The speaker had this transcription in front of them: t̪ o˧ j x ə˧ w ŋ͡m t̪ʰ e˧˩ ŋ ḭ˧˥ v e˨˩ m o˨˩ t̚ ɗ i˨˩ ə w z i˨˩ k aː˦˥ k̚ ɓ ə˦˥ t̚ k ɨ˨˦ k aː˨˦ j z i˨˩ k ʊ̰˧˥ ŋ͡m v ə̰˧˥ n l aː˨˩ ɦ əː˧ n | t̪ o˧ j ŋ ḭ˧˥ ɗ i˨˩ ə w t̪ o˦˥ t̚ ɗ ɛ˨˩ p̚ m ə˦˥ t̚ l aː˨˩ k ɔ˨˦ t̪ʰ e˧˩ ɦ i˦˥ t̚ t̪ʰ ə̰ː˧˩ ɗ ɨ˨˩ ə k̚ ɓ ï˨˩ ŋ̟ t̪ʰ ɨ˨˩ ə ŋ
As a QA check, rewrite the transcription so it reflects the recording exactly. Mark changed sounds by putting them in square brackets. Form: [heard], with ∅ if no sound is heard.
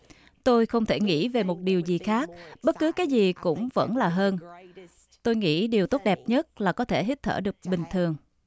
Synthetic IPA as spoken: t̪ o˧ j x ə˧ w ŋ͡m t̪ʰ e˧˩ ŋ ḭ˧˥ v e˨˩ m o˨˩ t̚ ɗ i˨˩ ə w z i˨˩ [x] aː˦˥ k̚ ɓ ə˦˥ t̚ k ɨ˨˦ k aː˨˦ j z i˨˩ k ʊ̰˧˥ ŋ͡m v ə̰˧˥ n l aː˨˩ ɦ əː˧ n | t̪ o˧ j ŋ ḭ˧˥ ɗ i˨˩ ə w t̪ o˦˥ t̚ ɗ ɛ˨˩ p̚ [ɲ] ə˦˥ t̚ l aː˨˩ k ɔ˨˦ t̪ʰ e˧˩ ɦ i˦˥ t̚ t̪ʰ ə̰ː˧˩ ɗ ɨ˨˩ ə k̚ ɓ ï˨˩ ŋ̟ t̪ʰ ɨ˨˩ ə ŋ

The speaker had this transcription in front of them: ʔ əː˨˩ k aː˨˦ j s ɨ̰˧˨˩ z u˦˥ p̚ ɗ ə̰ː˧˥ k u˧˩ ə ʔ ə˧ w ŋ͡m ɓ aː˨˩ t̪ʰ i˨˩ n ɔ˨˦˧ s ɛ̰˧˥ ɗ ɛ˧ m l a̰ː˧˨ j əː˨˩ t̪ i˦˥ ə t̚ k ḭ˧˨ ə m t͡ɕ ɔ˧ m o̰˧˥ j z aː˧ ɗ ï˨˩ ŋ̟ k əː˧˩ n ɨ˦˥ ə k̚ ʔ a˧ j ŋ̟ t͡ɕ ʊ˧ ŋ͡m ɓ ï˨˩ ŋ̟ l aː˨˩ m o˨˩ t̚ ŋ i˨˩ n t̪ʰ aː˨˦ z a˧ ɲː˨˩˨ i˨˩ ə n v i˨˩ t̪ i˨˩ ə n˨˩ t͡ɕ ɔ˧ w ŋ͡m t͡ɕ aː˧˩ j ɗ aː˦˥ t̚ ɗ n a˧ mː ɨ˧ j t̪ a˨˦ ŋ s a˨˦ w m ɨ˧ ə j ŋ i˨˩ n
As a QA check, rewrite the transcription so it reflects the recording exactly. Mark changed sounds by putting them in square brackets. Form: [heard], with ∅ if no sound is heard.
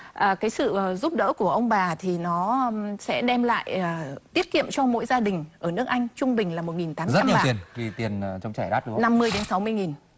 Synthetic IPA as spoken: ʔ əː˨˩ k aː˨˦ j s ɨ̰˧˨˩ z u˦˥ p̚ ɗ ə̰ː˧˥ k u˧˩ ə ʔ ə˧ w ŋ͡m ɓ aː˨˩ t̪ʰ i˨˩ n ɔ˨˦˧ s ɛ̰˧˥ ɗ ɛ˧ m l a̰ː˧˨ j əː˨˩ t̪ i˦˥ ə t̚ k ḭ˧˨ ə m t͡ɕ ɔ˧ m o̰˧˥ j z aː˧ ɗ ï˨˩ ŋ̟ [ʔ] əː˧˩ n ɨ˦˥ ə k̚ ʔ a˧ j ŋ̟ t͡ɕ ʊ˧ ŋ͡m ɓ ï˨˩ ŋ̟ l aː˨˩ m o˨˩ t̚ ŋ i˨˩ n [t̪] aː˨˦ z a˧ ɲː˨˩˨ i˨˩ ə n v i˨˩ t̪ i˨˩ ə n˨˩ t͡ɕ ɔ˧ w ŋ͡m t͡ɕ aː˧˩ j ɗ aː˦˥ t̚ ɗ n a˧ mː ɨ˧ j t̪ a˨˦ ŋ s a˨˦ w m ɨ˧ ə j ŋ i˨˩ n

